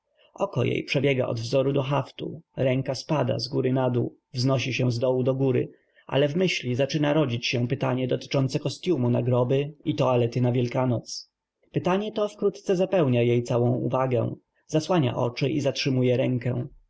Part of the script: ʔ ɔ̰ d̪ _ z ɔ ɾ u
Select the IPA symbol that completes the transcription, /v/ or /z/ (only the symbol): v